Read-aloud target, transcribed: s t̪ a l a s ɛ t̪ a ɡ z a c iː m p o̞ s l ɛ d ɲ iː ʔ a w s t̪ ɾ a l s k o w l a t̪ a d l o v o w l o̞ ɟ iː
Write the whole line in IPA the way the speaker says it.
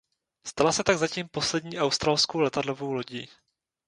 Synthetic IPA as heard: s t̪ a l a s ɛ t̪ a ɡ z a c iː m p o̞ s l ɛ d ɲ iː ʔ a w s t̪ ɾ a l s k o w l ɛ t̪ a d l o v o w l o̞ ɟ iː